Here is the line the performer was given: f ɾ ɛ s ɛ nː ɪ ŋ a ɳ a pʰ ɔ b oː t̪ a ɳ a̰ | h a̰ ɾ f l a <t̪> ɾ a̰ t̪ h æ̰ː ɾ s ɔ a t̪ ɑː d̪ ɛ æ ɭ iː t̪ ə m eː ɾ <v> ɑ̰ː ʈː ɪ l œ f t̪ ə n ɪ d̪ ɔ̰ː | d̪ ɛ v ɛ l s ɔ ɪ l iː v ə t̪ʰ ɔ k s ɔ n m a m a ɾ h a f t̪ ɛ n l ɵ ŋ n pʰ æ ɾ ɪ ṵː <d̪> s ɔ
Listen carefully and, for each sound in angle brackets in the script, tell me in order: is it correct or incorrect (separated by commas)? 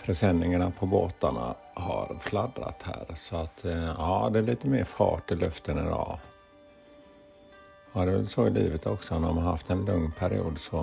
incorrect, incorrect, correct